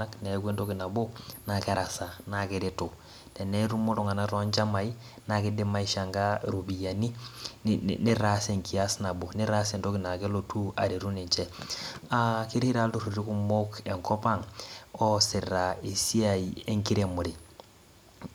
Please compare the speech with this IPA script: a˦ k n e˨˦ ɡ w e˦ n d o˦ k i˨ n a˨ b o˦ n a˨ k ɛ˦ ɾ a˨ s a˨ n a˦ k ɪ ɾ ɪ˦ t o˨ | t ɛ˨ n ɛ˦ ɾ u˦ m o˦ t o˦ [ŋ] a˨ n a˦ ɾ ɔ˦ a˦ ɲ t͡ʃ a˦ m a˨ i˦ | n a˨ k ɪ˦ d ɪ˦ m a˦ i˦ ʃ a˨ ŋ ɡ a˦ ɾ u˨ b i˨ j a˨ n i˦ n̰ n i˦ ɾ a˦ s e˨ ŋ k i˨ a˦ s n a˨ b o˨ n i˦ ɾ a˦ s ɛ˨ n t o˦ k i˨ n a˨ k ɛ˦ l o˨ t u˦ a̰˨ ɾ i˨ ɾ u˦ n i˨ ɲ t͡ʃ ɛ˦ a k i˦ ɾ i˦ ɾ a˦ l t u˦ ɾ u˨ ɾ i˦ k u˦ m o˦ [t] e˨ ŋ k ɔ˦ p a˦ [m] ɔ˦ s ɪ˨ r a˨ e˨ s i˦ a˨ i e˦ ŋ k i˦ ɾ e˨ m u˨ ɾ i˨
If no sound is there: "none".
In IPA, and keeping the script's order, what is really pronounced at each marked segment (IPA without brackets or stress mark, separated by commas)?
ŋ, k, ŋ